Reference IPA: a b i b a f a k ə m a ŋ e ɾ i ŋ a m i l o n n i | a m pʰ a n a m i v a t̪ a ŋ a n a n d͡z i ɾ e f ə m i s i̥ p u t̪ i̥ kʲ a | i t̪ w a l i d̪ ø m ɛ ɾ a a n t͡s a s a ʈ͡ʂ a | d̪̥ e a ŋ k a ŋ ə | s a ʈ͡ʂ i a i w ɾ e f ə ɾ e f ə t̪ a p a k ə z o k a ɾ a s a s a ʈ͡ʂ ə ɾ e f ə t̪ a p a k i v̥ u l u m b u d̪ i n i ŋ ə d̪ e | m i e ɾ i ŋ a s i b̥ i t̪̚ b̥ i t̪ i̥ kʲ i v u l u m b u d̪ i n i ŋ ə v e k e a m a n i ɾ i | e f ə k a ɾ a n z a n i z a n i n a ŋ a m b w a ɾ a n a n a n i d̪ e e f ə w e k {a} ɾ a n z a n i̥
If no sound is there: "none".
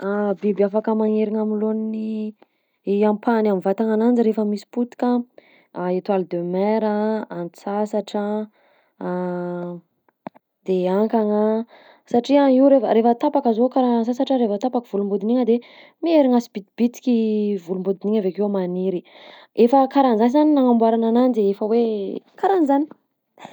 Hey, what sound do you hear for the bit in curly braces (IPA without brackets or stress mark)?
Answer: a